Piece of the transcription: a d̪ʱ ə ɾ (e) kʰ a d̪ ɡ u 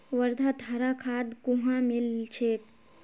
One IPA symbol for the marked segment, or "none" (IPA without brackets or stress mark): a